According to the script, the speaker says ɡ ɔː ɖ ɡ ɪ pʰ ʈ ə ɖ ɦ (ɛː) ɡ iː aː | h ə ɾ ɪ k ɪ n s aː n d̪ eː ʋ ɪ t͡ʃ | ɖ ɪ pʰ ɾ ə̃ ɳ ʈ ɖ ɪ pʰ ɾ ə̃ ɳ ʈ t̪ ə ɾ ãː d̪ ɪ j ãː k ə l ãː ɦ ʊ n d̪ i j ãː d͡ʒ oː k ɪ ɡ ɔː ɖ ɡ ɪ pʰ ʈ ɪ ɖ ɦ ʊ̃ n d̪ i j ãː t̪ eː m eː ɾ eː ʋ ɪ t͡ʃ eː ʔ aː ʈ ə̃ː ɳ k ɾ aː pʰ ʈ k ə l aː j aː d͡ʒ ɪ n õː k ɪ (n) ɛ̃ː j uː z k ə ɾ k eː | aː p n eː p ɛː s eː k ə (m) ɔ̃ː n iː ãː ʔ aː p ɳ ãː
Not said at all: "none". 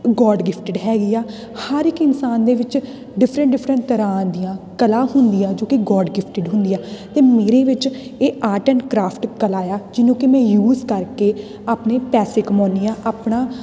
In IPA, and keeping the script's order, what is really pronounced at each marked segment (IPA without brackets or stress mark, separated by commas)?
ɛː, m, m